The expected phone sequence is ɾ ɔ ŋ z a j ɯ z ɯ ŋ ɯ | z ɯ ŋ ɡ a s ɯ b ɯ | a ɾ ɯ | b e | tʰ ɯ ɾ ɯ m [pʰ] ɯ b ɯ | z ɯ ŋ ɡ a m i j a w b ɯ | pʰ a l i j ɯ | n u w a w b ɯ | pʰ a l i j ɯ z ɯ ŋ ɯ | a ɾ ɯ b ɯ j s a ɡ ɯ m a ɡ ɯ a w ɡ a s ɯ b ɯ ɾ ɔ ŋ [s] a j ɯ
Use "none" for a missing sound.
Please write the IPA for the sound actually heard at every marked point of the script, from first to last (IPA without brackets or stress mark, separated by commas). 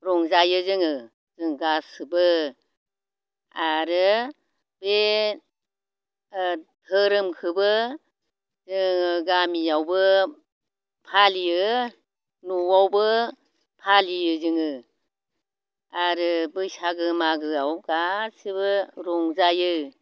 kʰ, z